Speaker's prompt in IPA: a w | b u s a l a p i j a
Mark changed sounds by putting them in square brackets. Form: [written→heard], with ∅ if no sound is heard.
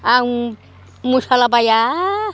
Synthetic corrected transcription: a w | [b→m] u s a l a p [i→a] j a